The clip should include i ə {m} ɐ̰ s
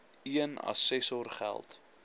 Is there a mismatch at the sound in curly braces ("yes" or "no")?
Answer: yes